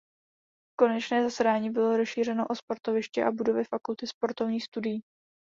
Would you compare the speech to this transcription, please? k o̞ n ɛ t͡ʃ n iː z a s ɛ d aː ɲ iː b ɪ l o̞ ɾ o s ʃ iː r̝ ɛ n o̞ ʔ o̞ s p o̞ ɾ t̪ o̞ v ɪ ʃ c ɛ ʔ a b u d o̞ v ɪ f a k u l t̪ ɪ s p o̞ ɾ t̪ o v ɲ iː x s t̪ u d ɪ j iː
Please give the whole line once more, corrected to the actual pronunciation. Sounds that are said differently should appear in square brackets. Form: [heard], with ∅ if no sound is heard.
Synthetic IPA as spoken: k o̞ n ɛ t͡ʃ n [ɛː] z a s ɛ d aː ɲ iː b ɪ l o̞ ɾ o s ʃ iː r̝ ɛ n o̞ ʔ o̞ s p o̞ ɾ t̪ o̞ v ɪ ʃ c ɛ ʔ a b u d o̞ v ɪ f a k u l t̪ ɪ s p o̞ ɾ t̪ o v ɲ iː x s t̪ u d ɪ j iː